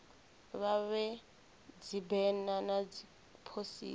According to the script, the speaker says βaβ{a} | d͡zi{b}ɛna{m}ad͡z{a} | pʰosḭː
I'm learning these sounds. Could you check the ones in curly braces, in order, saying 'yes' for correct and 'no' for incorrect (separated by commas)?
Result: no, yes, no, no